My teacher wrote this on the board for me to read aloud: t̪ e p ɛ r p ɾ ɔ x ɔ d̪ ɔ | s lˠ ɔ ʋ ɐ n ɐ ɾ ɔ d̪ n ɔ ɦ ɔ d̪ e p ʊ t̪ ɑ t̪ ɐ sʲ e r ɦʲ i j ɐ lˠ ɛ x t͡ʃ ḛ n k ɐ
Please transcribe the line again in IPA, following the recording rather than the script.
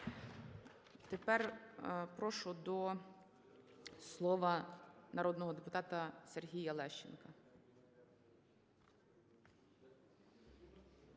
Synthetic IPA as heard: t̪ e p ɛ r p ɾ ɔ ʃ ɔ d̪ ɔ | s lˠ ɔ ʋ ɐ n ɐ ɾ ɔ d̪ n ɔ ɦ ɔ d̪ e p ʊ t̪ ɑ t̪ ɐ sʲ e r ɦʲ i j ɐ lˠ ɛ ʃ t͡ʃ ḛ n k ɐ